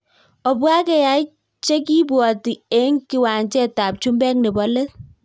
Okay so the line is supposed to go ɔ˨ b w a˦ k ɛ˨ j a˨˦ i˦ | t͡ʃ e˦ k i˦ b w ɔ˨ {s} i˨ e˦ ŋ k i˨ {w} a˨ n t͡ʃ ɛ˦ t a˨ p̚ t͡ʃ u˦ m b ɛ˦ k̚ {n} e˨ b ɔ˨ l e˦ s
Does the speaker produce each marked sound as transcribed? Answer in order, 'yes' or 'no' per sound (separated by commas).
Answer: no, yes, yes